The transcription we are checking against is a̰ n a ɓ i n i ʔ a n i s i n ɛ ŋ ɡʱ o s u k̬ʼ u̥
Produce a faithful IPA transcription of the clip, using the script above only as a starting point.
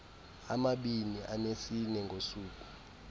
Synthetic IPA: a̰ m a ɓ i n i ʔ a n e s i n ɛ ŋ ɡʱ o s uː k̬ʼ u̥